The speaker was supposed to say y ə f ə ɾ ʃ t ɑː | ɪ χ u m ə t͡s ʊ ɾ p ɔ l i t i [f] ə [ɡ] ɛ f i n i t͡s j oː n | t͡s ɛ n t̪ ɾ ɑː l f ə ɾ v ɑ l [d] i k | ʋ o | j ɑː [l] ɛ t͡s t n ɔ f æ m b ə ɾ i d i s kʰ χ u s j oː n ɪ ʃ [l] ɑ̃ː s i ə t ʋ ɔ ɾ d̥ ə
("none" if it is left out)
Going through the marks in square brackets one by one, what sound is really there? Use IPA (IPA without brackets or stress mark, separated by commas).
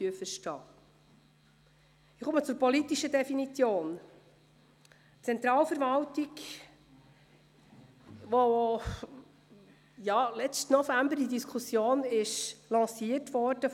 ʃ, d, t, l, l